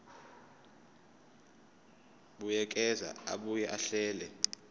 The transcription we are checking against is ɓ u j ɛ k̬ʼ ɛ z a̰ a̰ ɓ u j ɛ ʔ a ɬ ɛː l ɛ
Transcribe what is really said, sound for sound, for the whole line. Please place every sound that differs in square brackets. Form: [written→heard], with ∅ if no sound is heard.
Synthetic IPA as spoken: ɓ u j ɛ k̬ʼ ɛ z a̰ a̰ ɓ u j ɛ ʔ a ɬ ɛː l ɛ